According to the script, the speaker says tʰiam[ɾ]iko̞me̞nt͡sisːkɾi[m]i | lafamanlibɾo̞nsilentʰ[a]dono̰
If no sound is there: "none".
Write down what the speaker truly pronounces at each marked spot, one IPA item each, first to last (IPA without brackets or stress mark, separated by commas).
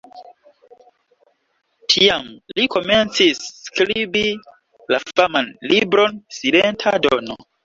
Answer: l, b, a